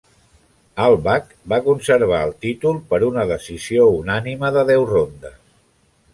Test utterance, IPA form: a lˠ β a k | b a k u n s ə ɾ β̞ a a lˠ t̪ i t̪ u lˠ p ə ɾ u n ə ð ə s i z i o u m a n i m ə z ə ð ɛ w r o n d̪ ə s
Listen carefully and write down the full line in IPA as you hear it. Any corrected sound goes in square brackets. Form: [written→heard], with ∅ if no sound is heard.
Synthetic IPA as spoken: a lˠ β a k | b a k u n s ə ɾ β̞ a [a→ə] lˠ t̪ i t̪ u lˠ p ə ɾ u n ə ð ə s i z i o u [m→n] a n i m ə [z→ð] ə ð ɛ w r o n d̪ ə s